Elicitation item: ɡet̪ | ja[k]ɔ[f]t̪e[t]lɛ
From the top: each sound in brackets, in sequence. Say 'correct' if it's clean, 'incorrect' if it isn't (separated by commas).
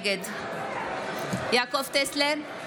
correct, correct, incorrect